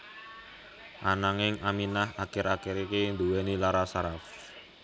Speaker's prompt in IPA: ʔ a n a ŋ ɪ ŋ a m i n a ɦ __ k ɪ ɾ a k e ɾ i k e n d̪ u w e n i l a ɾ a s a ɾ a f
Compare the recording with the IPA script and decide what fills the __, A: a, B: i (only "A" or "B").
A